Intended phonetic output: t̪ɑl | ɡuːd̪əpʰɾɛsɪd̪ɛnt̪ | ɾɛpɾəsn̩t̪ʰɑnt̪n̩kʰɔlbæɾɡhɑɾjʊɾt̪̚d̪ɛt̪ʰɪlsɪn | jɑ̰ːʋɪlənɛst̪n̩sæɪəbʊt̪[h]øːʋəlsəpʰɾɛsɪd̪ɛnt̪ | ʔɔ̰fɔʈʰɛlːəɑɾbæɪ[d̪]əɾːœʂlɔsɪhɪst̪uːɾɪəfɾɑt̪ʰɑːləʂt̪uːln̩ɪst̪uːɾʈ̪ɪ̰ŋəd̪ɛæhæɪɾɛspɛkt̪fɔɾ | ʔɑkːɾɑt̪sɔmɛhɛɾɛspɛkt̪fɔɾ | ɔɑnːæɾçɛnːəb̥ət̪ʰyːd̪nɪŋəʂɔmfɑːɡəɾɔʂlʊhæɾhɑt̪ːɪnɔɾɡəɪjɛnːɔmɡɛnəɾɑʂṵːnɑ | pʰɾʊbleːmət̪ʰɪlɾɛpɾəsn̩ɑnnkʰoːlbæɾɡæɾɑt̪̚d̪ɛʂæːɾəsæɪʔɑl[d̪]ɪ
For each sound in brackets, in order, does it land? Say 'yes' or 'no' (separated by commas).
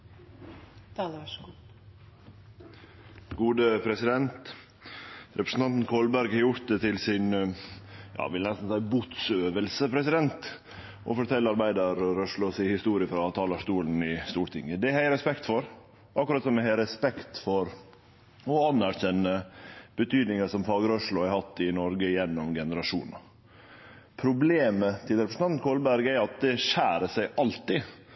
no, yes, no